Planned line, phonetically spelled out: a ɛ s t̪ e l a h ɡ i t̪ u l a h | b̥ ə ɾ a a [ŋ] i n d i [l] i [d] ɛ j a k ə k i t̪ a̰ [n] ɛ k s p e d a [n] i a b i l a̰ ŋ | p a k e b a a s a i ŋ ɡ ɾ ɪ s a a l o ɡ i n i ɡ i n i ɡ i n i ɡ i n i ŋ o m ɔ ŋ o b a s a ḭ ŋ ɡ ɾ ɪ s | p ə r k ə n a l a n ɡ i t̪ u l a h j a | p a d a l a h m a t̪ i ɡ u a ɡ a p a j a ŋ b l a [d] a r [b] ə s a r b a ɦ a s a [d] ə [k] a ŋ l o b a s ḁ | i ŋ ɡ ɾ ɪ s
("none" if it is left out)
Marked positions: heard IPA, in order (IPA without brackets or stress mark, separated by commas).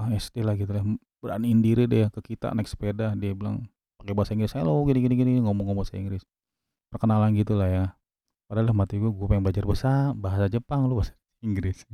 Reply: n, ɾ, d, n, d, d͡ʒ, b, d͡ʒ, p